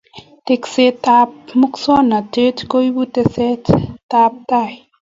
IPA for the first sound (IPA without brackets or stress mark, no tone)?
t